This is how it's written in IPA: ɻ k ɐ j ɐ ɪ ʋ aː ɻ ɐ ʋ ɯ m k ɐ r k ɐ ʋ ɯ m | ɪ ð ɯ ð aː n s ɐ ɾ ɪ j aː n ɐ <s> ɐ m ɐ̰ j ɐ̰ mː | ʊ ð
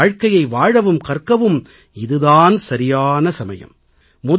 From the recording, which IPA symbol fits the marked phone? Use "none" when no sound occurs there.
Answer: s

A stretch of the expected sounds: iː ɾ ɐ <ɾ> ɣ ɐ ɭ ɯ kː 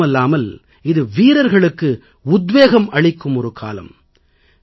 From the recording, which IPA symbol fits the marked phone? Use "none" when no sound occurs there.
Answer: ɾ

